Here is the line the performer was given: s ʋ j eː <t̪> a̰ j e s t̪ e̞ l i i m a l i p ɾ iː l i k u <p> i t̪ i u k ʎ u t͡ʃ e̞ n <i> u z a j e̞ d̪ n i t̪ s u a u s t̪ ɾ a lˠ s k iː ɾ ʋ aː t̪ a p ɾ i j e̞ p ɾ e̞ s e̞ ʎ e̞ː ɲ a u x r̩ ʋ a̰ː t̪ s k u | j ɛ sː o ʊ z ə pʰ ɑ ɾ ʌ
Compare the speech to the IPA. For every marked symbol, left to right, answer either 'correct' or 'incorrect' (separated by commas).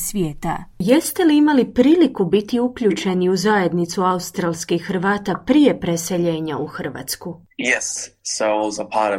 correct, incorrect, correct